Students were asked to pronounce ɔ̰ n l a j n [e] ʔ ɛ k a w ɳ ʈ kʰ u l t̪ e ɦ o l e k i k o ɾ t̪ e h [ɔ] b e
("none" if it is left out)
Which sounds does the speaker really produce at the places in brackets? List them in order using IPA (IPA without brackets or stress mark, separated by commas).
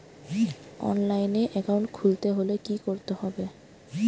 e, ɔ